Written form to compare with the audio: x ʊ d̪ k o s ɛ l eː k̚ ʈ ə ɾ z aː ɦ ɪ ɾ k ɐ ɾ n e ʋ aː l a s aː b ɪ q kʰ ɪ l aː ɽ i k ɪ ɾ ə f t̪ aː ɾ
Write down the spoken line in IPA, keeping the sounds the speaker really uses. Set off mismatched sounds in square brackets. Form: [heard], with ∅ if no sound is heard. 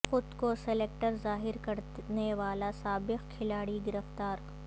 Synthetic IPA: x ʊ d̪ k o s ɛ l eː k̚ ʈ ə ɾ z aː ɦ ɪ ɾ k ɐ ɾ n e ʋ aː l a s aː b ɪ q kʰ ɪ l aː ɽ i [ɡ] ɪ ɾ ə f t̪ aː ɾ